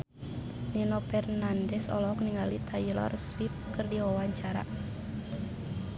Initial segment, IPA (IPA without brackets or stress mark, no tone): n